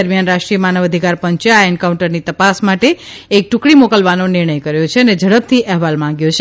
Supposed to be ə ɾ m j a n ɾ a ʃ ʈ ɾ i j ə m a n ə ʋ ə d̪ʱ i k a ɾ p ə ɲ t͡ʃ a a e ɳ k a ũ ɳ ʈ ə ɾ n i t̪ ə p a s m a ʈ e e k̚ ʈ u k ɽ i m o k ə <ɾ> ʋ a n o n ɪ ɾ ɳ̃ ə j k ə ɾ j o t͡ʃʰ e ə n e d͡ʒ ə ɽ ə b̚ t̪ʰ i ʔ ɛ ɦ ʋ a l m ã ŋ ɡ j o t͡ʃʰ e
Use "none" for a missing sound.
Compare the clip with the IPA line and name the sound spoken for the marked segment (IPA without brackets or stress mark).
l